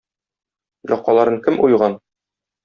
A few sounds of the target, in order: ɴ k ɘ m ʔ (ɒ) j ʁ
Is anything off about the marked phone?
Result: yes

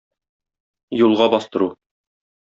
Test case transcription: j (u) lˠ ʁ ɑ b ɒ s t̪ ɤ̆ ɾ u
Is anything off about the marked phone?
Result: no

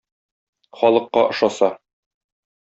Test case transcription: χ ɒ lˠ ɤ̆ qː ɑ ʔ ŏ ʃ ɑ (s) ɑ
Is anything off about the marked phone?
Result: no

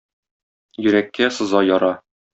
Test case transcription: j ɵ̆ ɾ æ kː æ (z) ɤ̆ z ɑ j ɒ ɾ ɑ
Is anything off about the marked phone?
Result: yes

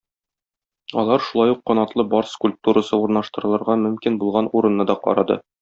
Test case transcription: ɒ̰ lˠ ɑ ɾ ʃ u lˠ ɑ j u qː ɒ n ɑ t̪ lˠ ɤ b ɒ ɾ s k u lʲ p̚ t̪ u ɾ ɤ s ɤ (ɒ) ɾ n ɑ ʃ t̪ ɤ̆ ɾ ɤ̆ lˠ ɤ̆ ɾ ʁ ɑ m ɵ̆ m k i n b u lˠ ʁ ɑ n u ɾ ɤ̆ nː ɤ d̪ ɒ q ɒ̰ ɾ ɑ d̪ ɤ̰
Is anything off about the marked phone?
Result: yes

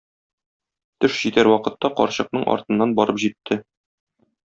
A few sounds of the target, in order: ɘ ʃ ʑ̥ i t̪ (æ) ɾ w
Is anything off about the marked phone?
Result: no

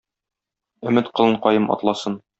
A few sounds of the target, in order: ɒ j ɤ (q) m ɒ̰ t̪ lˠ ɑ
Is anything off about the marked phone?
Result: yes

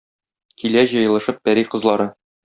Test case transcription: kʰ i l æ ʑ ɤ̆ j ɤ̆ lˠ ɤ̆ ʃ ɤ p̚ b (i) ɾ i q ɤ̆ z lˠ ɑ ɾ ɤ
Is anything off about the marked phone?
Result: yes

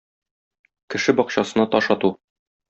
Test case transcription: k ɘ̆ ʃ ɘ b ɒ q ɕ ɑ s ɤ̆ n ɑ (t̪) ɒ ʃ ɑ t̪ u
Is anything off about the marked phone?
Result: no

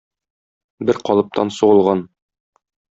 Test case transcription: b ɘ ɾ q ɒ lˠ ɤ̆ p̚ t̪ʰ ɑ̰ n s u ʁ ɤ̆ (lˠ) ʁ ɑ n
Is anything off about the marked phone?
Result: no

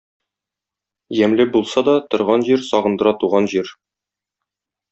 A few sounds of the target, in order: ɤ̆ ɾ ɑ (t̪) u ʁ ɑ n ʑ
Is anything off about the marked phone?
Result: no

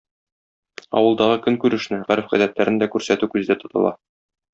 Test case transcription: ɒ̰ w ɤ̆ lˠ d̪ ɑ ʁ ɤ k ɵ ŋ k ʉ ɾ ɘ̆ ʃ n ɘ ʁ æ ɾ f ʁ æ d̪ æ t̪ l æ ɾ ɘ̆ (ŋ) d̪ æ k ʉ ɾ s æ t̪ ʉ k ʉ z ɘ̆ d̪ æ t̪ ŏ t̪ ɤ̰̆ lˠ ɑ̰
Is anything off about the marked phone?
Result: yes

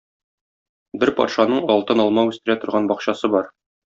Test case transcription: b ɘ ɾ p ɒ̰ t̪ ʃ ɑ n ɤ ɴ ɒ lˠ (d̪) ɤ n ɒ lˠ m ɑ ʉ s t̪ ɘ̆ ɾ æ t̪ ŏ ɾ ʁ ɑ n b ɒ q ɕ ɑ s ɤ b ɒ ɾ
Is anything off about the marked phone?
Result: yes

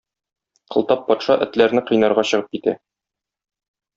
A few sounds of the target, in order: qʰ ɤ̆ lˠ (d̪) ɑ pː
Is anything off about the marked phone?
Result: yes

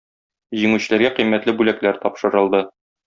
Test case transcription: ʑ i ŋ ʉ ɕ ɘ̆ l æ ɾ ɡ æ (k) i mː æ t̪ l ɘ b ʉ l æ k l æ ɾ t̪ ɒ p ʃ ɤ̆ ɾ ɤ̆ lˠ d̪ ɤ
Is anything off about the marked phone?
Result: yes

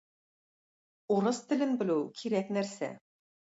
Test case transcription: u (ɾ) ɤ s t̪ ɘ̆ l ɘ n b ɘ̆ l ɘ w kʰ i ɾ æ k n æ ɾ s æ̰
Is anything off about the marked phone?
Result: no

